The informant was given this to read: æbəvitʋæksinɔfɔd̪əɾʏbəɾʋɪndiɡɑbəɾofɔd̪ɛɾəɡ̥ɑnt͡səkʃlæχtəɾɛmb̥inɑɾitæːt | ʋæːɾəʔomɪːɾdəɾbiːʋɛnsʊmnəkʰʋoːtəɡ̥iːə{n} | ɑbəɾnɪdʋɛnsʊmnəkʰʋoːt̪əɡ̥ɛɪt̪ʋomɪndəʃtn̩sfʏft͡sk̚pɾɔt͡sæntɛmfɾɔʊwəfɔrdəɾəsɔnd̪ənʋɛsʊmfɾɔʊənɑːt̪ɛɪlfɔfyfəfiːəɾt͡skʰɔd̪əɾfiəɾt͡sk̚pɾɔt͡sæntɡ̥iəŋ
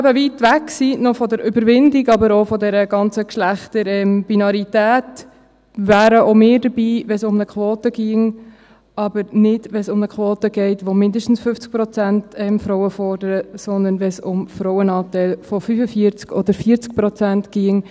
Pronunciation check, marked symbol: incorrect: ŋ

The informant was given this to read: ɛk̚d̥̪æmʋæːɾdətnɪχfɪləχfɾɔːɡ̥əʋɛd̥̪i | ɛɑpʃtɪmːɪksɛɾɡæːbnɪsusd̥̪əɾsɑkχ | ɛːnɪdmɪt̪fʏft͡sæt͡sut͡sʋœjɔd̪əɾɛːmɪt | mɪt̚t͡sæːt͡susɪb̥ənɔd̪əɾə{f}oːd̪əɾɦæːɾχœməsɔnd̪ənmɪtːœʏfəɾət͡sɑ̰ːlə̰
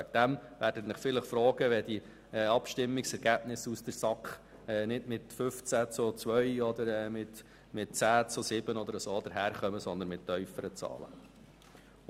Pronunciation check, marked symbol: incorrect: s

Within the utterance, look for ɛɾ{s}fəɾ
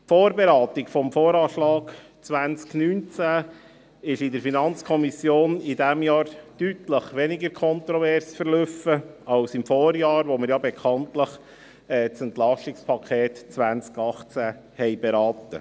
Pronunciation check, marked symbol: correct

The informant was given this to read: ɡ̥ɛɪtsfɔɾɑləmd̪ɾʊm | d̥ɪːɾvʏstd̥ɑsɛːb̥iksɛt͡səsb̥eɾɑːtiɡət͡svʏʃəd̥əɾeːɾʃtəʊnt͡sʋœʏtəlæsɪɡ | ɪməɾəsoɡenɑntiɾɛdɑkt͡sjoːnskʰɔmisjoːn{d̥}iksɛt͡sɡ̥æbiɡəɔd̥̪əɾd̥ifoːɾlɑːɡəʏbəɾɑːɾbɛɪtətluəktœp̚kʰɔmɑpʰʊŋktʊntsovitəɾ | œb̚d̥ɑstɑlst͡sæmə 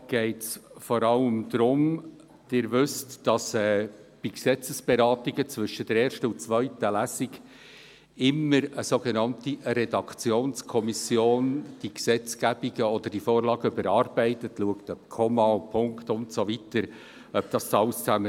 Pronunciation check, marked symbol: correct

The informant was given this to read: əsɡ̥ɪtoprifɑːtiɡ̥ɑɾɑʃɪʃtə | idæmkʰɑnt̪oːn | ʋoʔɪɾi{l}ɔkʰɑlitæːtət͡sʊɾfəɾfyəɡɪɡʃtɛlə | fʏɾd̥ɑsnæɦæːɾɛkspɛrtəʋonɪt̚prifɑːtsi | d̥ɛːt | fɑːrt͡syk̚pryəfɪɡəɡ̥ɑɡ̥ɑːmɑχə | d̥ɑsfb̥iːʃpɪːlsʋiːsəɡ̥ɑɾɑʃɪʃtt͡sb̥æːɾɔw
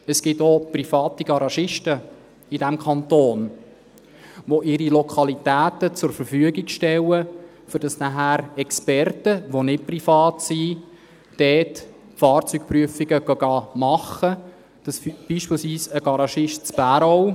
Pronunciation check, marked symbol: correct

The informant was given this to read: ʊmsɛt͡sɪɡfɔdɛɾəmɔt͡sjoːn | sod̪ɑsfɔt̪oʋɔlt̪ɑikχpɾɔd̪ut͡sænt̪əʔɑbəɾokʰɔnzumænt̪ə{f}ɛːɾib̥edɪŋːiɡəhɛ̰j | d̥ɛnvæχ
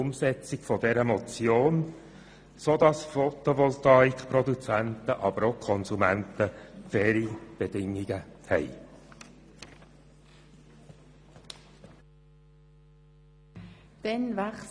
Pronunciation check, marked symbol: correct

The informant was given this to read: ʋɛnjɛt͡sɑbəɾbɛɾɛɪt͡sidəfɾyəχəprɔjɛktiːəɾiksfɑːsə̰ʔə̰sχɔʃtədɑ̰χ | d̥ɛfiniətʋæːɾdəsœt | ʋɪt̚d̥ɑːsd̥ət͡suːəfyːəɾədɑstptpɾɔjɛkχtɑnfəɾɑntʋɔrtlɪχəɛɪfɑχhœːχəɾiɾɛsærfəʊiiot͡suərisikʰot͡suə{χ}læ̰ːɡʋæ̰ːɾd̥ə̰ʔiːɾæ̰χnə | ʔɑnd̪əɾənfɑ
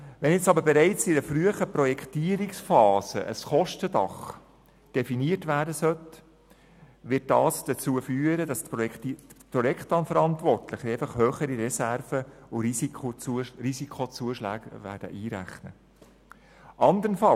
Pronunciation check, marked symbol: incorrect: ʃ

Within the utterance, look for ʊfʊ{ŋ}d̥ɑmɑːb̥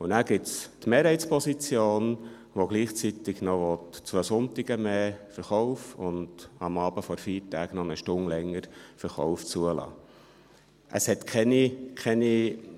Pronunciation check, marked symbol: incorrect: n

